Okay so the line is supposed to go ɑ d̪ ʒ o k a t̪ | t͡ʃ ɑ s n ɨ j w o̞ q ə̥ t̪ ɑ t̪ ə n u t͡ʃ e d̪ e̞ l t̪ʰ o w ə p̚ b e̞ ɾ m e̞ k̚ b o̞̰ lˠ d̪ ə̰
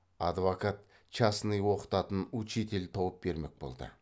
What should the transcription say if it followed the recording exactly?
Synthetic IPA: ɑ d̪ v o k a t̪ | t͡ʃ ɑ s n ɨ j w o̞ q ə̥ t̪ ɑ t̪ ə n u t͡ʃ e t̪ e̞ l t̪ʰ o w ə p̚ b e̞ ɾ m e̞ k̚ b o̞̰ lˠ d̪ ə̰